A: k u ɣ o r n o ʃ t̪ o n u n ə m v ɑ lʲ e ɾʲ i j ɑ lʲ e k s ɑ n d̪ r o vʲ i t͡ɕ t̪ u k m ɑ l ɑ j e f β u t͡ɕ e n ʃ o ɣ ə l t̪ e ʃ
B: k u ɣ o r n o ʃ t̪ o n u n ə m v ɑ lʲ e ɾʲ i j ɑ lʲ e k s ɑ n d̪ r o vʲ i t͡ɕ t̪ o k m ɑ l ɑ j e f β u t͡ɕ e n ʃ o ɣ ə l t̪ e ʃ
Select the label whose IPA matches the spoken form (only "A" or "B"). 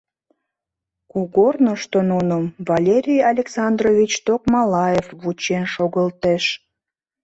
B